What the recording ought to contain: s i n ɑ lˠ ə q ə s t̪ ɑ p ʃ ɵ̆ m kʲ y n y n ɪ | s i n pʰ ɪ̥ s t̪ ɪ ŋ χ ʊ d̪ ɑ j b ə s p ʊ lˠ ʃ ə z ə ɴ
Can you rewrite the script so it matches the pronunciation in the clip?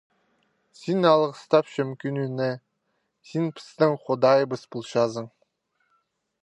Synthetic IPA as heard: s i n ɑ lˠ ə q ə s t̪ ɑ p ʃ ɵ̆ m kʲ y n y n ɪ | s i n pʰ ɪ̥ s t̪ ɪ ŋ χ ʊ d̪ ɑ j b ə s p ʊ lˠ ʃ ɑ z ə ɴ

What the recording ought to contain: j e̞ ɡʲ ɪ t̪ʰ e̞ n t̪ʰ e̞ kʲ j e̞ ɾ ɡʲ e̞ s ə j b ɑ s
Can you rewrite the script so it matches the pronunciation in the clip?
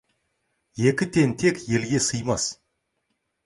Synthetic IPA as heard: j e̞ kʲ ɪ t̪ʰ e̞ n t̪ʰ e̞ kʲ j e̞ l ɡʲ e̞ s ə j m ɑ s

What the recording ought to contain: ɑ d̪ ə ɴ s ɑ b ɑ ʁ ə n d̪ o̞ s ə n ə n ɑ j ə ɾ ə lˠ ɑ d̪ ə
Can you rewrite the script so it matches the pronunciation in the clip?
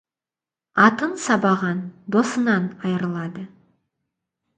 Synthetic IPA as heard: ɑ t̪ ə n s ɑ b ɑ ʁ ɑ n d̪ o̞ s ə n ɑ n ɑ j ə ɾ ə lˠ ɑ d̪ ə

